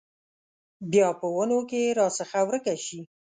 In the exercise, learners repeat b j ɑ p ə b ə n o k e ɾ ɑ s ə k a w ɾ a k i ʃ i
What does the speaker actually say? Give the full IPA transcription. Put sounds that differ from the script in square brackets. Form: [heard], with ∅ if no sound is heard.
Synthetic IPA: b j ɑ p ə [w] ə n o k e ɾ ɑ s ə [x] a w ɾ [ə] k [a] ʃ i